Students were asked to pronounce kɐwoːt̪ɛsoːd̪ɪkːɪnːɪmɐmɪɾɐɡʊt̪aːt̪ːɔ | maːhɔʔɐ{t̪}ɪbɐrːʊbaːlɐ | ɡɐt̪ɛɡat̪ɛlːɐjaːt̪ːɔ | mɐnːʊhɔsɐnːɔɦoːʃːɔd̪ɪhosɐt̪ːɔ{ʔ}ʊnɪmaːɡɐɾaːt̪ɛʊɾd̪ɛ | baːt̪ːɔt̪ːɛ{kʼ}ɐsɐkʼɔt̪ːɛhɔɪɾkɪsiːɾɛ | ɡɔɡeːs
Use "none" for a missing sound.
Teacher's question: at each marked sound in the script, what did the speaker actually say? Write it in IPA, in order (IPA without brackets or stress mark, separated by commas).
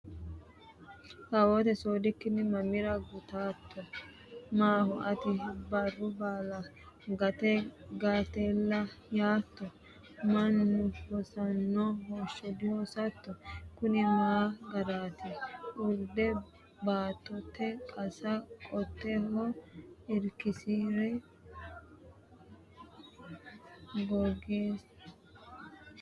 t̪, k, kʼ